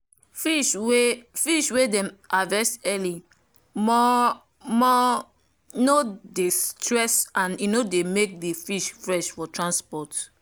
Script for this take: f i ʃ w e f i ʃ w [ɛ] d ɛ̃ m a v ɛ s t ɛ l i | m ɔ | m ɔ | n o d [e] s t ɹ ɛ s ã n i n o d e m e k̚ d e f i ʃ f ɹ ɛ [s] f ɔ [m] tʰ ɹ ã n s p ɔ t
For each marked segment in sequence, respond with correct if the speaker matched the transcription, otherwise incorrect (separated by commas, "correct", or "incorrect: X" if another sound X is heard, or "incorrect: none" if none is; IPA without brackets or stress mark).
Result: incorrect: e, correct, incorrect: ʃ, incorrect: none